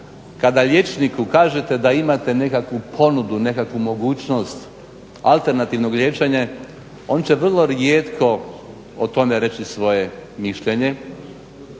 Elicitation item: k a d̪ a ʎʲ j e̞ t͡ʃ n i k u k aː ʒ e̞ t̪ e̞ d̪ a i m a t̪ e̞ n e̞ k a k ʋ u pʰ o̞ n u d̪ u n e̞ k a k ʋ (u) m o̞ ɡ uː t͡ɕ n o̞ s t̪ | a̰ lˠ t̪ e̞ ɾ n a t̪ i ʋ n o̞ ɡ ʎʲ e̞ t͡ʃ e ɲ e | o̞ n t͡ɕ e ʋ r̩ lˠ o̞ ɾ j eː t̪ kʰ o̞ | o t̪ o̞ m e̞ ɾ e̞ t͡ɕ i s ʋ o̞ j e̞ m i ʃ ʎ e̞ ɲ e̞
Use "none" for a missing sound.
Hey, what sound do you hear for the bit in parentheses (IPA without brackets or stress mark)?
u